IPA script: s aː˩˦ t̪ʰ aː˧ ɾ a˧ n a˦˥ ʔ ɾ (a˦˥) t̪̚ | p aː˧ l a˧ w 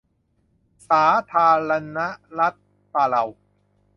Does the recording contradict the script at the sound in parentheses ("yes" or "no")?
no